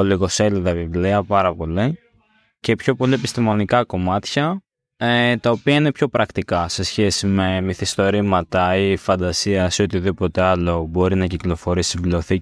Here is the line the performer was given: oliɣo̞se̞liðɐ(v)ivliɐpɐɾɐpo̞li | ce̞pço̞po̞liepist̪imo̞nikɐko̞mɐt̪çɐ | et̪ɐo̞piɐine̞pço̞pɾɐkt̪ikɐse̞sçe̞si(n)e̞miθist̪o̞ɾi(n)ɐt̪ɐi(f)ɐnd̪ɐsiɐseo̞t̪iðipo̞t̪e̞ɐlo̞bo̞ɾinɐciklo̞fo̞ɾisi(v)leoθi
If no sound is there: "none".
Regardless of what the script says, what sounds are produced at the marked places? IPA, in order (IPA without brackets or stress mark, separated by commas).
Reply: v, m, m, f, v